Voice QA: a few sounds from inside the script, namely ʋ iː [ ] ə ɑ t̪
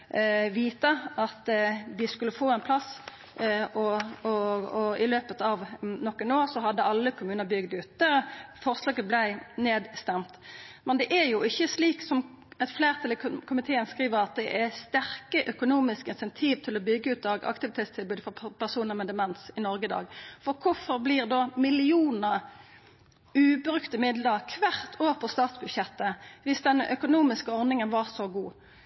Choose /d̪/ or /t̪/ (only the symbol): t̪